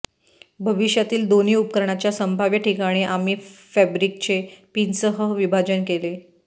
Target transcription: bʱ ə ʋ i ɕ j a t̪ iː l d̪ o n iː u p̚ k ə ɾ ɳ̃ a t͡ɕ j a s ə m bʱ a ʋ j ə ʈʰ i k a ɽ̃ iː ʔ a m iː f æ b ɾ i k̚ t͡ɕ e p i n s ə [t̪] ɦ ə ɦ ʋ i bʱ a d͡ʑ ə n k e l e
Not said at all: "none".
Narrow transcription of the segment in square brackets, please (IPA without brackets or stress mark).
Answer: none